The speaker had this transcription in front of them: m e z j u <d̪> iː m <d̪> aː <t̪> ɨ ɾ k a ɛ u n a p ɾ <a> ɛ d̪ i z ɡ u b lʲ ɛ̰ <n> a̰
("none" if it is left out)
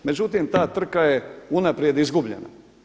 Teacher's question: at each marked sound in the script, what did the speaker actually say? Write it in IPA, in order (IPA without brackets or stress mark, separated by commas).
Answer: t̪, t̪, t̪, i, n